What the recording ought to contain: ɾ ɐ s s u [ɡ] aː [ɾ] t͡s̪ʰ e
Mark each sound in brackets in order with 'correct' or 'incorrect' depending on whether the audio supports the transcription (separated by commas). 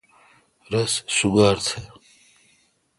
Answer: correct, correct